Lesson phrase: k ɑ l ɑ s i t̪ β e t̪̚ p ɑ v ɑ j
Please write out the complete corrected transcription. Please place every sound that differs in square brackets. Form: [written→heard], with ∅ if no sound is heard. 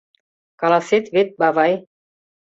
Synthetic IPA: k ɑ l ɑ s [i→e] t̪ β e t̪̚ [p→b] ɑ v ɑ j